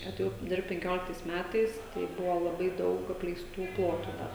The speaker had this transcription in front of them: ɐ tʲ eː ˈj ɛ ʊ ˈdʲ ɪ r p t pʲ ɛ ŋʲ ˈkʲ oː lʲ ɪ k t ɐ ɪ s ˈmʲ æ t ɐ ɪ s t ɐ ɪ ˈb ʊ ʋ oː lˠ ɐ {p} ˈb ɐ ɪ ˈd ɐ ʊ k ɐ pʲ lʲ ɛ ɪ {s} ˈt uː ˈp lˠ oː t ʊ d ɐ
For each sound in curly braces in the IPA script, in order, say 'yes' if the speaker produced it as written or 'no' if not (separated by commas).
no, yes